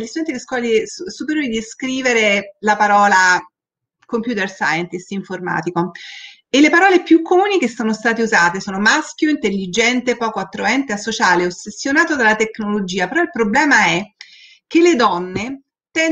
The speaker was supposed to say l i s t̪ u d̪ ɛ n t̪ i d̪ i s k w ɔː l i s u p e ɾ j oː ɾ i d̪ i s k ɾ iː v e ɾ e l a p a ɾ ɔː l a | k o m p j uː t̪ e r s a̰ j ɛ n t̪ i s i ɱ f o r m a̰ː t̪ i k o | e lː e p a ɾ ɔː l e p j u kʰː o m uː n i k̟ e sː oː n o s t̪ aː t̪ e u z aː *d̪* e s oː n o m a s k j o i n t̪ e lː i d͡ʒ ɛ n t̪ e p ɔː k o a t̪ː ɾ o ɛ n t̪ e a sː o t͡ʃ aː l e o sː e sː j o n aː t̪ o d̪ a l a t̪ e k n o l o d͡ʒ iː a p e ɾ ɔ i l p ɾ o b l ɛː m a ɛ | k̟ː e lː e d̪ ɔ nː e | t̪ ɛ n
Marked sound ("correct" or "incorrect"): incorrect